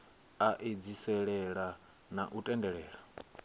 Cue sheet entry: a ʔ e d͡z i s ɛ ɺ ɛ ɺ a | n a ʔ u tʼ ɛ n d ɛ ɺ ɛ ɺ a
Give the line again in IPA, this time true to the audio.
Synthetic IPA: a ʔ e d͡z i s ɛ ɺ ɛ ɺ a | n a ʔ u tʼ ɛ n d ɛ ɺ ɛː ɺ a